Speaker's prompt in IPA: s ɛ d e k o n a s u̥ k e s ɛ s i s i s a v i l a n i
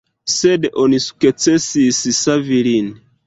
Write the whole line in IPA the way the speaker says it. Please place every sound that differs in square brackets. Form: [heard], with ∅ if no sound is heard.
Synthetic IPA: s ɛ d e [ʔ] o n [i] s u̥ k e [t͡s] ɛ s i s i s a v i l [i] n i